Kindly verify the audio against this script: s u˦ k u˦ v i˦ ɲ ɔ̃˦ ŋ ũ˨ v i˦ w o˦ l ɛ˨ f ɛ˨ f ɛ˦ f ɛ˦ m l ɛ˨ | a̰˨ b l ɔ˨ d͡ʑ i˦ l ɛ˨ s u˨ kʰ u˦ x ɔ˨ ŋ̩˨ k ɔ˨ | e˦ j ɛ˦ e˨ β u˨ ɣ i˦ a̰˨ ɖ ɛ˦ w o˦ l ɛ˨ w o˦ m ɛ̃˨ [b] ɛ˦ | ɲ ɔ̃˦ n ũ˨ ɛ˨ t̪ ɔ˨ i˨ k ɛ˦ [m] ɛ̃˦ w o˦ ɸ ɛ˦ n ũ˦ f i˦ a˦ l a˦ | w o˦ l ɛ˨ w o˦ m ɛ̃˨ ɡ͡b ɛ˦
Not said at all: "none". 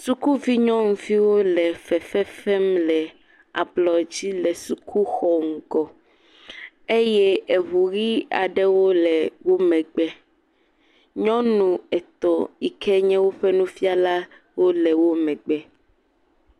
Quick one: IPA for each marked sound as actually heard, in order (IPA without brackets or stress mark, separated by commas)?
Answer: ɡ͡b, ɲ